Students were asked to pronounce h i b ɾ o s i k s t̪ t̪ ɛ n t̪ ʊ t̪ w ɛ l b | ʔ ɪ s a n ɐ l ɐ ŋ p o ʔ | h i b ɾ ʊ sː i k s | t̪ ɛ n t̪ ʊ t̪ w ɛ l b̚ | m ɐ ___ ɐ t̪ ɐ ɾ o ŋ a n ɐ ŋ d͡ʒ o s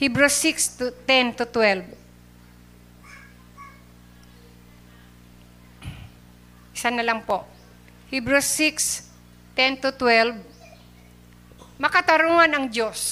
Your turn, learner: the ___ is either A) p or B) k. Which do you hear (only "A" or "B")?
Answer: B